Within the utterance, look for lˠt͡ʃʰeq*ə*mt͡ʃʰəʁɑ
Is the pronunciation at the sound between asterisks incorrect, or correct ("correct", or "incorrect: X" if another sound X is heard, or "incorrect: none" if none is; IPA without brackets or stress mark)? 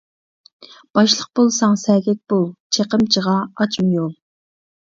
correct